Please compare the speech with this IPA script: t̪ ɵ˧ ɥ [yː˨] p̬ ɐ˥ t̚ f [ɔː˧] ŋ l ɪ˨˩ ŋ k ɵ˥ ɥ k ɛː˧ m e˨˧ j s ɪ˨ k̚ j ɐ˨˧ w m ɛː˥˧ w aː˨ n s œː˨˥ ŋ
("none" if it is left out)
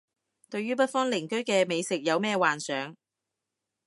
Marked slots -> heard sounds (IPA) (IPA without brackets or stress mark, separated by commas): yː˥, ɔː˥